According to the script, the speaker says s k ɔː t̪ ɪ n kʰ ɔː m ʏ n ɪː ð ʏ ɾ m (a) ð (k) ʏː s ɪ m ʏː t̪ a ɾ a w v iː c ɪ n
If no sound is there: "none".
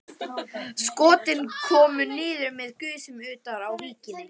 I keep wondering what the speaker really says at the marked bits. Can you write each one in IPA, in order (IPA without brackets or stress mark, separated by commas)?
ɛ, k